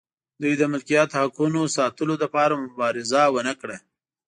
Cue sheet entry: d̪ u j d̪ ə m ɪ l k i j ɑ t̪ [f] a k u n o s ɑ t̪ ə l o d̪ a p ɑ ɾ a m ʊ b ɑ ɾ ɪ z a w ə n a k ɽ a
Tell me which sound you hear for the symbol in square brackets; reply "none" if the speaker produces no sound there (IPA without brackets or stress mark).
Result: h